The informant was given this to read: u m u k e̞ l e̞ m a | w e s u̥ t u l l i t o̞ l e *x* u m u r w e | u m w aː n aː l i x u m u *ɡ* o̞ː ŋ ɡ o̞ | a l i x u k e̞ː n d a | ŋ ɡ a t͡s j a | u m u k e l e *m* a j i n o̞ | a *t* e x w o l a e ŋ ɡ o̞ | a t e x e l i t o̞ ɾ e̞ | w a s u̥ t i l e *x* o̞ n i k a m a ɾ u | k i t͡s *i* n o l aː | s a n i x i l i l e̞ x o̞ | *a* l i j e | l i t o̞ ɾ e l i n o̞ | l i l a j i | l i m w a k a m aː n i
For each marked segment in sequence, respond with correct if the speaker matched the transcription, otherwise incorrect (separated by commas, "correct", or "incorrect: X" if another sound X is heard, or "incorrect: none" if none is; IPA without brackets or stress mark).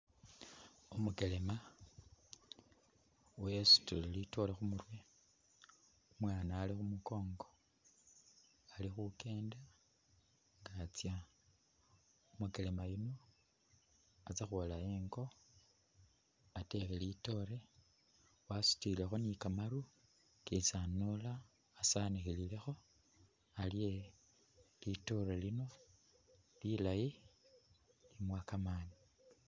correct, incorrect: k, correct, incorrect: t͡s, correct, incorrect: a, correct